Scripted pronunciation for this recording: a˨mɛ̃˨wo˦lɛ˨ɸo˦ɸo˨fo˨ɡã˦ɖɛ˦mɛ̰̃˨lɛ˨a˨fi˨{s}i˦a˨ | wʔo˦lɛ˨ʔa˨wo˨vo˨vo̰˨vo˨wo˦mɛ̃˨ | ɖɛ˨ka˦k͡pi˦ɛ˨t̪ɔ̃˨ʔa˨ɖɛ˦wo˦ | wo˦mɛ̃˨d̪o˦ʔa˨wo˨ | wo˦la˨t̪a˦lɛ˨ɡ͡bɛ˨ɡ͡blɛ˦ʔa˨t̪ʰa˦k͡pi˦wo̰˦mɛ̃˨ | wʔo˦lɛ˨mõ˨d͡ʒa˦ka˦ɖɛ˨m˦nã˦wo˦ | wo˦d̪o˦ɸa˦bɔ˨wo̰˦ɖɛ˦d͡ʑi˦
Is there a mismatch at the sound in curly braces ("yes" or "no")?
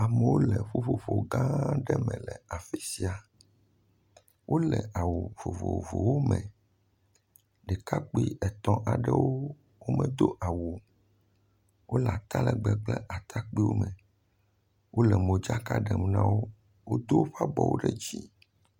no